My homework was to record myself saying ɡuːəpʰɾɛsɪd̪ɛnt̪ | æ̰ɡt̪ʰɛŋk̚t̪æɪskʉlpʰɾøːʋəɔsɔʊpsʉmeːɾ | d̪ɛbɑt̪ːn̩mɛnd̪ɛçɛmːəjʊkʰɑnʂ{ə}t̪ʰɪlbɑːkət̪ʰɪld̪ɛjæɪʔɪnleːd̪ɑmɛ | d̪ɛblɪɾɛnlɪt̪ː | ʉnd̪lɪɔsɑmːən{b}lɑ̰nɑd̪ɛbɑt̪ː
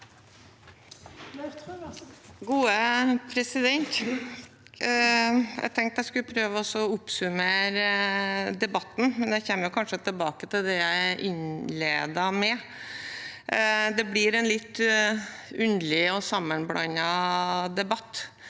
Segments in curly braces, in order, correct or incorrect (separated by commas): correct, correct